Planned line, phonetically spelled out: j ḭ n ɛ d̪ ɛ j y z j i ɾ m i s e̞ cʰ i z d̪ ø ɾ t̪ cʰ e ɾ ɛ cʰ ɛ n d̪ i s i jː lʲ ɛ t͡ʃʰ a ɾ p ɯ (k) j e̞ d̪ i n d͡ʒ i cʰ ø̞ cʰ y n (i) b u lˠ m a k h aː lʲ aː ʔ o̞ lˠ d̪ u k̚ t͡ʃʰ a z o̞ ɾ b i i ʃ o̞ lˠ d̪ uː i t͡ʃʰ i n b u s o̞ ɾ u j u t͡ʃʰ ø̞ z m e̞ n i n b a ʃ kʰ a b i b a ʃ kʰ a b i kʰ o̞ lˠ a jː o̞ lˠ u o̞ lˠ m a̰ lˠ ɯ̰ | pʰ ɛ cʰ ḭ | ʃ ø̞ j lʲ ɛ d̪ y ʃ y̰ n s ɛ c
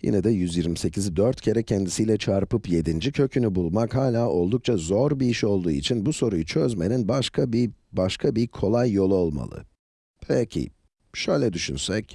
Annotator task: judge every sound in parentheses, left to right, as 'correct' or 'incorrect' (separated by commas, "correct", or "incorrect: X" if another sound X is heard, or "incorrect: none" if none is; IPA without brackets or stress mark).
incorrect: p, incorrect: y